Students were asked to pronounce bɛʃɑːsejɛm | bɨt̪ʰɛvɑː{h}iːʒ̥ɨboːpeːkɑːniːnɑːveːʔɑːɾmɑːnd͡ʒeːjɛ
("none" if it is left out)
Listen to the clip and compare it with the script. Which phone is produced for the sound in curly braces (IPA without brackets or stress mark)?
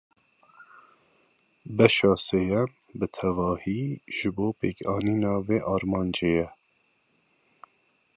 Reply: h